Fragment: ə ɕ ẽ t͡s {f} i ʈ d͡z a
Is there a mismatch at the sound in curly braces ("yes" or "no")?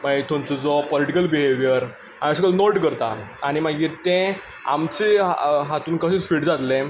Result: no